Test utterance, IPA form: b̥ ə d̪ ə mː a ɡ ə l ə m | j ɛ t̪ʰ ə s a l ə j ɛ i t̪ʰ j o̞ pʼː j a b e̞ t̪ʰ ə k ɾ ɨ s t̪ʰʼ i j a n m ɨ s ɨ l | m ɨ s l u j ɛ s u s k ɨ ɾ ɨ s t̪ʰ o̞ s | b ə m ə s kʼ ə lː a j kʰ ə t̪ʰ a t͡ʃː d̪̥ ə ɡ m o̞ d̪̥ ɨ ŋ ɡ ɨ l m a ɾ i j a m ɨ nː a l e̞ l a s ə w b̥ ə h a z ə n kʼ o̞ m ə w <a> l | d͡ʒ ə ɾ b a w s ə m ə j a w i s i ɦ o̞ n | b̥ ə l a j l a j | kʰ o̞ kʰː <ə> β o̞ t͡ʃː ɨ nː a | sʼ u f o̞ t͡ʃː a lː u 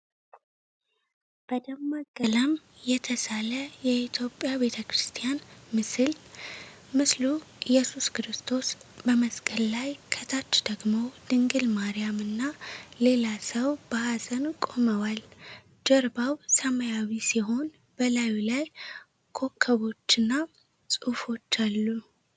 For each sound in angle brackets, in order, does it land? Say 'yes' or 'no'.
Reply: yes, yes

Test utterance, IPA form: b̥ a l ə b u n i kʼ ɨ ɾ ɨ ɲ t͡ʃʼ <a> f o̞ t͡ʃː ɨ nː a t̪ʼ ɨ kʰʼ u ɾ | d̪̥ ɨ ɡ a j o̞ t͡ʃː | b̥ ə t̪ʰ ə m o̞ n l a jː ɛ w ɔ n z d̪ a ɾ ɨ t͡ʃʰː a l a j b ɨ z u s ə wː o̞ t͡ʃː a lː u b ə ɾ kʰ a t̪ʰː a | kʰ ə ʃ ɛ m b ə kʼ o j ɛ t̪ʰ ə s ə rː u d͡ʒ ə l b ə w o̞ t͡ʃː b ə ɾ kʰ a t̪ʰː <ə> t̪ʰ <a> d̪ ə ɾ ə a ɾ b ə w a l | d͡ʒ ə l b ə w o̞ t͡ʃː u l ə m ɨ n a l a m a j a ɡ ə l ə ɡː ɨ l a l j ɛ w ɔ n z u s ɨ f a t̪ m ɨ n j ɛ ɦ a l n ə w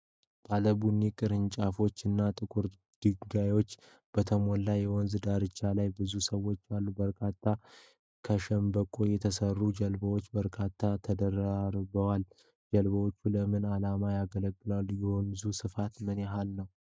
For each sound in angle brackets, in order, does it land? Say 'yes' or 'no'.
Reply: yes, no, no

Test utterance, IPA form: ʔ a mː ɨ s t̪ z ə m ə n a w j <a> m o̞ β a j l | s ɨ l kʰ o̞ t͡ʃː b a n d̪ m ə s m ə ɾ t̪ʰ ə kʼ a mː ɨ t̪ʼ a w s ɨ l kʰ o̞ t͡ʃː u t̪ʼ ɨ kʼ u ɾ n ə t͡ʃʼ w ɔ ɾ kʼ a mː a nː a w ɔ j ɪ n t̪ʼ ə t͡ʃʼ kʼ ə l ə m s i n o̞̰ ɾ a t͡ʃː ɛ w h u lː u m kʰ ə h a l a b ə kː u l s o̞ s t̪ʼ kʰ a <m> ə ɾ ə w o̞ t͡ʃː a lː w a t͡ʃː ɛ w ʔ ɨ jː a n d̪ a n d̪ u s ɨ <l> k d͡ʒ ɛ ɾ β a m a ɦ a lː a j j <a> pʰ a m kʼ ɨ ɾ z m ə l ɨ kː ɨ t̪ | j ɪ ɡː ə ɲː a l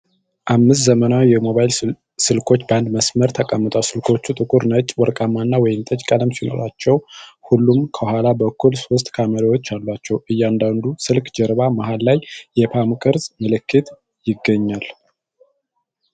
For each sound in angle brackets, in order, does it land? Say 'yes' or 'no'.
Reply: no, yes, yes, no

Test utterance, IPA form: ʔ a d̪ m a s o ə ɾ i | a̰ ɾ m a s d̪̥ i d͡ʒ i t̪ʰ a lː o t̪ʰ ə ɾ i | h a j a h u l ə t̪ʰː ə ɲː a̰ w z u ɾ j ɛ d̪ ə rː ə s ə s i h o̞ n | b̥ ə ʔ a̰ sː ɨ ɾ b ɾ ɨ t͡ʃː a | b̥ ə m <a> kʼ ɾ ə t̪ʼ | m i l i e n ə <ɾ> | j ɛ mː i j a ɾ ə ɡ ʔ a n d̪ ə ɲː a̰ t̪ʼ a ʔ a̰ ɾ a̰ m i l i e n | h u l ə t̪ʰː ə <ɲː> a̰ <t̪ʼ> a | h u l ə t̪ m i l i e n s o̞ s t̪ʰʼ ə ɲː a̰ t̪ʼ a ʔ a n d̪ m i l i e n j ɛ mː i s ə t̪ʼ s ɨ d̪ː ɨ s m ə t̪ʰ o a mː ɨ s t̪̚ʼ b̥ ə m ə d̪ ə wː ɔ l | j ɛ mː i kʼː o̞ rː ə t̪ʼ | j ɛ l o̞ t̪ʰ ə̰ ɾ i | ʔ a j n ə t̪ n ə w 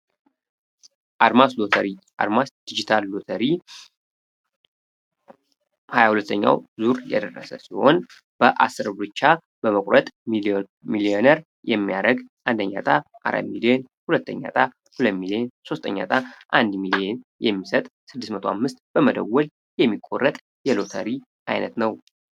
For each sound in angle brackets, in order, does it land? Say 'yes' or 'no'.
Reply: no, yes, yes, yes

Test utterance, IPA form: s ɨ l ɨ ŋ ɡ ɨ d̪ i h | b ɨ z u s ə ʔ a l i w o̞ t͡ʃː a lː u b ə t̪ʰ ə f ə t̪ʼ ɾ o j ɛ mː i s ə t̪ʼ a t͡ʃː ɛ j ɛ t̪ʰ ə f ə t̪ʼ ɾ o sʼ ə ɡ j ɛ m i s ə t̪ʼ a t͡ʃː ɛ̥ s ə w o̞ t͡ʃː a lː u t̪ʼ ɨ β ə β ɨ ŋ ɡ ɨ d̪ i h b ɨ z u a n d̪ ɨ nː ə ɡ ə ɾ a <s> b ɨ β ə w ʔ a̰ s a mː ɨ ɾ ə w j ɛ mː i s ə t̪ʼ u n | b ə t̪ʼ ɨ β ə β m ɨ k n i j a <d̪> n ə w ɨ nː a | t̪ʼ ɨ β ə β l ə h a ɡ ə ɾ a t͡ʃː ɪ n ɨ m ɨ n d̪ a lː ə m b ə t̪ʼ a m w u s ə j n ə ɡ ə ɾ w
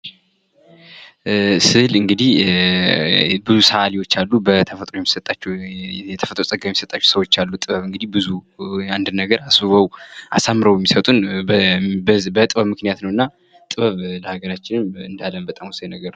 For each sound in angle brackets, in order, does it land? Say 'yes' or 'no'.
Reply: yes, no

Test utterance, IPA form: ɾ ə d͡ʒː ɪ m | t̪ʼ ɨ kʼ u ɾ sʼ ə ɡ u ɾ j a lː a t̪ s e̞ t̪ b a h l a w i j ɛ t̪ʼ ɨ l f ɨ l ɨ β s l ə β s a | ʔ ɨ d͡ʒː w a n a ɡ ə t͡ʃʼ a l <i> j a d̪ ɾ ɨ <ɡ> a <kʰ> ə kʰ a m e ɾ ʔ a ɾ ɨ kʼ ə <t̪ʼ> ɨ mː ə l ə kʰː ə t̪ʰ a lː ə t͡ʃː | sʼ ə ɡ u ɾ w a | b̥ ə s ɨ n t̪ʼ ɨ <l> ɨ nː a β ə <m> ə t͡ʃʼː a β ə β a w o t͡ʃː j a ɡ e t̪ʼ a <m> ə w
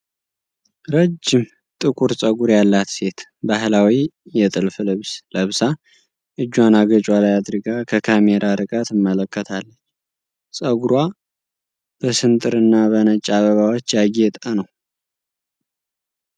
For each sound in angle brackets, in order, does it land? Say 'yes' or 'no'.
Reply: no, yes, yes, no, no, no, no

